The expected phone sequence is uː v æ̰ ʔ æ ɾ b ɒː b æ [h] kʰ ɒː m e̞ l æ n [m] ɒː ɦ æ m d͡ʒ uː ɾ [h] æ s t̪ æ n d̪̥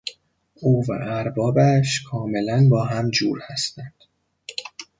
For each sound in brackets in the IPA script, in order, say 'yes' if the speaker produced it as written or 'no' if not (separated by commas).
no, no, yes